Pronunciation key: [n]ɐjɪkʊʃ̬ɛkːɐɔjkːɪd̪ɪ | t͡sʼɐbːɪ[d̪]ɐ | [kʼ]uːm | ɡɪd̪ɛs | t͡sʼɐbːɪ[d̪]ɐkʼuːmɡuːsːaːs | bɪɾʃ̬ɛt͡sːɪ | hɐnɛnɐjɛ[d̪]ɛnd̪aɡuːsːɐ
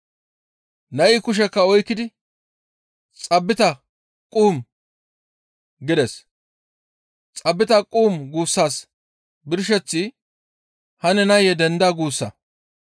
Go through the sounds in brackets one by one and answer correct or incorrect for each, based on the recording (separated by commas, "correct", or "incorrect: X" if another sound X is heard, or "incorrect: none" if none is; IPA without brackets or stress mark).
correct, incorrect: t̪, correct, incorrect: t̪, correct